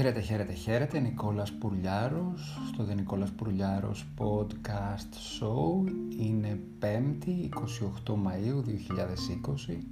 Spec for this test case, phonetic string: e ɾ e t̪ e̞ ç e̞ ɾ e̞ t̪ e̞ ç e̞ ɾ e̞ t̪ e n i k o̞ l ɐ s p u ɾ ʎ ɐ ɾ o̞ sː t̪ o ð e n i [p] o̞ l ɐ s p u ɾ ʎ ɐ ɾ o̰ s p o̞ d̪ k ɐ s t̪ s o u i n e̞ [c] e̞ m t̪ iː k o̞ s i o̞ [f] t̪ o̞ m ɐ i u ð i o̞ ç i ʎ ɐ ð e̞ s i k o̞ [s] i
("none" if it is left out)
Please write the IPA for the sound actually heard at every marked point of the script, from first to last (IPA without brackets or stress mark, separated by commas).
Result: k, p, x, s